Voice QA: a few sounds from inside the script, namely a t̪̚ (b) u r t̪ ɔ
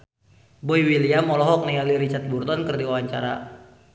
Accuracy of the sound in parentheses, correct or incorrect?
correct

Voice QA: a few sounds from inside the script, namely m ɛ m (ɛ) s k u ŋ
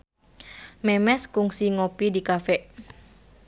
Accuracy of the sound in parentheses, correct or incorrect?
correct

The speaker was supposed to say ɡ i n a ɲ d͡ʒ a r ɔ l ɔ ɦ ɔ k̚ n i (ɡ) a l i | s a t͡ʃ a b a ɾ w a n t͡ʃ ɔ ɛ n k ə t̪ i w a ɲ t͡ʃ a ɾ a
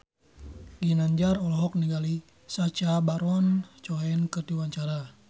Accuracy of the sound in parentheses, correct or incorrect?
correct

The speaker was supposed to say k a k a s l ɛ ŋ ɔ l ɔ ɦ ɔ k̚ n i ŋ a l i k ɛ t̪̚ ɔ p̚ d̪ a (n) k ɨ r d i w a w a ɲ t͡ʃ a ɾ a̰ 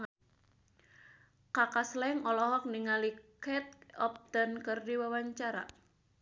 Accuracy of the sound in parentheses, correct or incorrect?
correct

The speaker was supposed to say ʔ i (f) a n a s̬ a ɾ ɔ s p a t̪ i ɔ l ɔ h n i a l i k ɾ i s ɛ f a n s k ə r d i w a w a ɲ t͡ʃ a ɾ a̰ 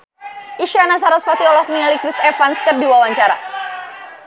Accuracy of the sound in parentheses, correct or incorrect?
incorrect: ʃ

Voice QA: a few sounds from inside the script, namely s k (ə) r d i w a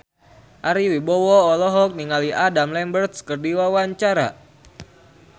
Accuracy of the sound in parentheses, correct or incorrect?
correct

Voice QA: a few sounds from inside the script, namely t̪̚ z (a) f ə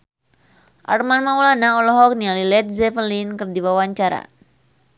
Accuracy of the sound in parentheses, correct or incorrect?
incorrect: ɛ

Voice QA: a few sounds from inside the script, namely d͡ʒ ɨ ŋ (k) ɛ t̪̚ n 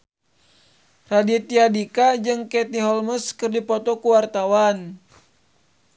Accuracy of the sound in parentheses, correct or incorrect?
correct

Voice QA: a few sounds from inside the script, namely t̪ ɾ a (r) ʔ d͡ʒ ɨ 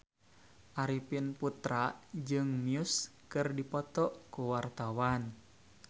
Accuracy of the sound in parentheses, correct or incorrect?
incorrect: none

